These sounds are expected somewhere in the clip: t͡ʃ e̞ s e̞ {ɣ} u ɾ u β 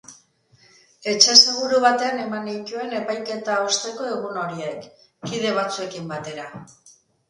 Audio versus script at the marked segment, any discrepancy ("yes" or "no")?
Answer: no